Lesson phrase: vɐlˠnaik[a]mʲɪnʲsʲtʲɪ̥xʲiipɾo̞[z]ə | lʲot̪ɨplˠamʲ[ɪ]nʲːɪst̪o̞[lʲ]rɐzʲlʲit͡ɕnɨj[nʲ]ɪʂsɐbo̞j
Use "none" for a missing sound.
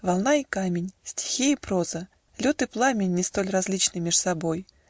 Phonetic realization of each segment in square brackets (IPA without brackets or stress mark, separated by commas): a, z, ɪ, lʲ, mʲ